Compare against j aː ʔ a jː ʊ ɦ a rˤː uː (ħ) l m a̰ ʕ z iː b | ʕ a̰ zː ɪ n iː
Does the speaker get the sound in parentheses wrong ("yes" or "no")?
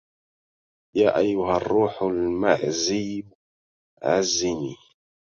no